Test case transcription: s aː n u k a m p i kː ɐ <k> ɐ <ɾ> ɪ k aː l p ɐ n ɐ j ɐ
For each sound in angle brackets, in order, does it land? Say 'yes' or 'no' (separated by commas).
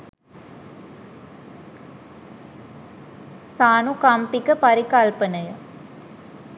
no, yes